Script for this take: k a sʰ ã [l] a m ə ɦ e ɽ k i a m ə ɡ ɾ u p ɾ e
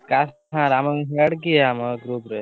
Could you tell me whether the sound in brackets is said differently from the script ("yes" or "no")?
yes